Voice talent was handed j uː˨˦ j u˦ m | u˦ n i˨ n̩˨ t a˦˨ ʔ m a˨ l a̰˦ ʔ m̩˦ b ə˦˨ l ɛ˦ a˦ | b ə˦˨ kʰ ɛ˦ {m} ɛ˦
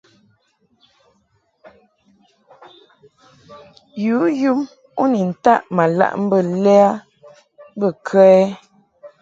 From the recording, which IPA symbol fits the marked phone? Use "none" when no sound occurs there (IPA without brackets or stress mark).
none